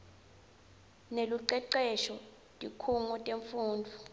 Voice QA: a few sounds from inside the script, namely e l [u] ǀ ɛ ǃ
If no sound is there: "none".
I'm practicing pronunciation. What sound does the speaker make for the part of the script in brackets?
u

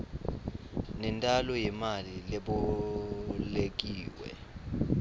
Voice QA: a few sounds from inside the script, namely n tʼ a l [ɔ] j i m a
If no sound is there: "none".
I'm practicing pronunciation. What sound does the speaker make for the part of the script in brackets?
ɔ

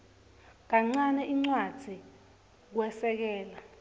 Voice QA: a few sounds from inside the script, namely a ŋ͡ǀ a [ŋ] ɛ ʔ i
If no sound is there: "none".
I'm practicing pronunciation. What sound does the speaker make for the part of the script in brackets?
n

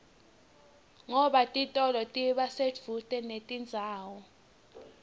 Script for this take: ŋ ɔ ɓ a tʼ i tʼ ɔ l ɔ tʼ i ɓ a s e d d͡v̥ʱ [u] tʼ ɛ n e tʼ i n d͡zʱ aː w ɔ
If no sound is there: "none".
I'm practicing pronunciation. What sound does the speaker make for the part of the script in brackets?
u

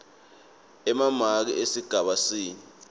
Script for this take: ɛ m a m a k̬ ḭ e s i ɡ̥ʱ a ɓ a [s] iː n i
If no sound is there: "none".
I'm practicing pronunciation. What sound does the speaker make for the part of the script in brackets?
s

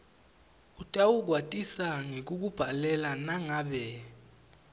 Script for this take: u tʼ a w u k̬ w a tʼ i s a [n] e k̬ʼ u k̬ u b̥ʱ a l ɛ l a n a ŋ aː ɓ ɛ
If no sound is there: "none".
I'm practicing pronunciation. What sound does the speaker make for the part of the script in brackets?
ŋ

